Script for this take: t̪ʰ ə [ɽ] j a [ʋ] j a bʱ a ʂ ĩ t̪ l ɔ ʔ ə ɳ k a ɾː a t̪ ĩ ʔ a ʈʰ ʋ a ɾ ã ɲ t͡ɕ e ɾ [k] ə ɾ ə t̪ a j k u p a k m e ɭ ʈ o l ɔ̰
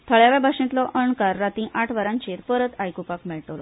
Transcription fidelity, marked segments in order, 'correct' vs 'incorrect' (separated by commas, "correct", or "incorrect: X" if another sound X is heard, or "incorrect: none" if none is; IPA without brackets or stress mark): incorrect: ɭ, correct, incorrect: p